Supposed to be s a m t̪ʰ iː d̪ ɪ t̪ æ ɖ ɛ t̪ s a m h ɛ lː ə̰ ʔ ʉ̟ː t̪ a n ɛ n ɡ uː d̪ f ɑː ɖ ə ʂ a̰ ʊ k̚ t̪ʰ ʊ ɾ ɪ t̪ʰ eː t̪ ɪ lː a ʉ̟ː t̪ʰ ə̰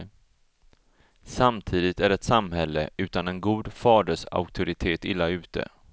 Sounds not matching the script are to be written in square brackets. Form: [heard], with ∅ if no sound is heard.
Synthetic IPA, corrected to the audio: s a m t̪ʰ iː d̪ ɪ t̪ æ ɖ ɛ t̪ s a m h ɛ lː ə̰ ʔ ʉ̟ː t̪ a n ɛ n ɡ uː d̪ f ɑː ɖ ə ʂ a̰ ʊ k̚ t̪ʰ ʊ ɾ ɪ t̪ʰ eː t̪ ɪ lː a ʉ̟ː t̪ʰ ə̰